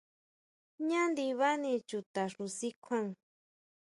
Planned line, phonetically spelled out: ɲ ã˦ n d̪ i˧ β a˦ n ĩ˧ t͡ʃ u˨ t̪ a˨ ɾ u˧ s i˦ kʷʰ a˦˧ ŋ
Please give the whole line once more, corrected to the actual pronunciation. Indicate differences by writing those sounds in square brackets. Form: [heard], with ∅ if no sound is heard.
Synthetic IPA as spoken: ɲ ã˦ n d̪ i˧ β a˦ n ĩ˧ t͡ʃ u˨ t̪ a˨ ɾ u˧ s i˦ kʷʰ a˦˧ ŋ